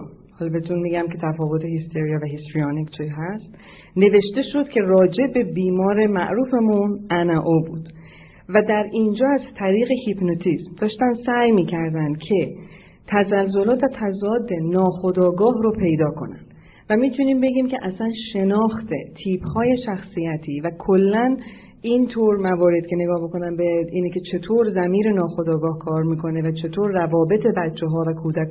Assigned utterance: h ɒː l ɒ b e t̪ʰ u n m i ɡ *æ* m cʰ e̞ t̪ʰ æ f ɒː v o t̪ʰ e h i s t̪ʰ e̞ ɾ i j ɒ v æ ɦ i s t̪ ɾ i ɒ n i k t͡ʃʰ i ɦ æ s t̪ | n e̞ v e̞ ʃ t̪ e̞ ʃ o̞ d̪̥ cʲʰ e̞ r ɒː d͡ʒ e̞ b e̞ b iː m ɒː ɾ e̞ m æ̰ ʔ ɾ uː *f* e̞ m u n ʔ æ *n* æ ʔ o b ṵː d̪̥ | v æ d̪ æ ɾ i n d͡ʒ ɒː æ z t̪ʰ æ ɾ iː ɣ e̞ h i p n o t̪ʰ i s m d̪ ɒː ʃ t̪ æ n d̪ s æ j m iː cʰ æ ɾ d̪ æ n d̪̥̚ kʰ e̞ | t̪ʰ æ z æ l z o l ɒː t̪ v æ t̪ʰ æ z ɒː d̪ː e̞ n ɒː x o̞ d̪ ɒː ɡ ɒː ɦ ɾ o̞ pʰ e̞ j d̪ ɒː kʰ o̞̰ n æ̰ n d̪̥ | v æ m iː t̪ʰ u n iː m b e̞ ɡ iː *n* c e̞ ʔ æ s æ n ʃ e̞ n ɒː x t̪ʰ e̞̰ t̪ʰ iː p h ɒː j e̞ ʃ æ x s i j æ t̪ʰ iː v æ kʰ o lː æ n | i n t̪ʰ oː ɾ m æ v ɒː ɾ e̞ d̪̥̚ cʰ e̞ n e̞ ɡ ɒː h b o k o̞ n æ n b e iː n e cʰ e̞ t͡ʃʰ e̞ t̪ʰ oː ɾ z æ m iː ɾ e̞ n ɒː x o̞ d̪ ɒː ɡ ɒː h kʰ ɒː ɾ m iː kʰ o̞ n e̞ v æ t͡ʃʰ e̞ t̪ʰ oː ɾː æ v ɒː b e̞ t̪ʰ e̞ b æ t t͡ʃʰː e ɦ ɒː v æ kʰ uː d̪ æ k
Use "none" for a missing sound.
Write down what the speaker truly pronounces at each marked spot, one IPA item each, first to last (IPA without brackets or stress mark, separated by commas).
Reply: æ, f, n, m